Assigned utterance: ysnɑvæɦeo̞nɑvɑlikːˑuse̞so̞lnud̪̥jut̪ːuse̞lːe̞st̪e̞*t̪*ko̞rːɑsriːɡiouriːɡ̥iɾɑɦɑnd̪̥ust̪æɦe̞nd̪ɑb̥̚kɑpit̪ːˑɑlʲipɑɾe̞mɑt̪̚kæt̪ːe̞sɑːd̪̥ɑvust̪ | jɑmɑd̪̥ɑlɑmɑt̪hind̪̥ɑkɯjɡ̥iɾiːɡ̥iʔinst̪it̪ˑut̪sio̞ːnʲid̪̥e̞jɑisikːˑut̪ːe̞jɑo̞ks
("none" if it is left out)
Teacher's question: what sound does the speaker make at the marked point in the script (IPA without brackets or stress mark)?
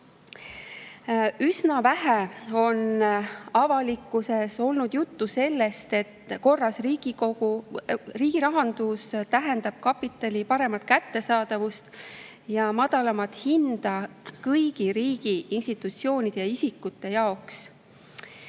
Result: t̪